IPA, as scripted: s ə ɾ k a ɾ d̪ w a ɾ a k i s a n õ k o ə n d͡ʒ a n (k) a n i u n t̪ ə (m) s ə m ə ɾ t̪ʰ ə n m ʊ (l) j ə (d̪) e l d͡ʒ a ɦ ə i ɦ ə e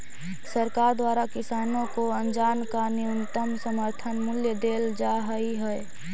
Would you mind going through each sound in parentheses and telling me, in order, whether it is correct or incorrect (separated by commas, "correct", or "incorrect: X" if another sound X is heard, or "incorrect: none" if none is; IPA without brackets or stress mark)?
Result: correct, correct, correct, correct